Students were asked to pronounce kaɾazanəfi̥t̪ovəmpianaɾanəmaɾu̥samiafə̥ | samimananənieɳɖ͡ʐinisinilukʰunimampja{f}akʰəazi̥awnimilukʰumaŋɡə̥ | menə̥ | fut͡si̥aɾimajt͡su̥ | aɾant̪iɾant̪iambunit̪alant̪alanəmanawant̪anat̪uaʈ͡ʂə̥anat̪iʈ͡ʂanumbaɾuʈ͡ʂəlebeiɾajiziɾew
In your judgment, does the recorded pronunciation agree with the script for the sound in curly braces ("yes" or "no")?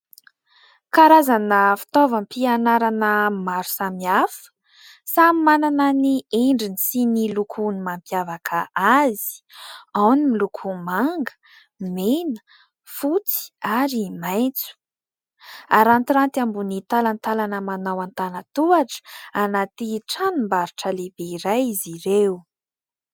no